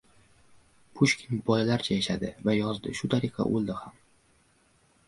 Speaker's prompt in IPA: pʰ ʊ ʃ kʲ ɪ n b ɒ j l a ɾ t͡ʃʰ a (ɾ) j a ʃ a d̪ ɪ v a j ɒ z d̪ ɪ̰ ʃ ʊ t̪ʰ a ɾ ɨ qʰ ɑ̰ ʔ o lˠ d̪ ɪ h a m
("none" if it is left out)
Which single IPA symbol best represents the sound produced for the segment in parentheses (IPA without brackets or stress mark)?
none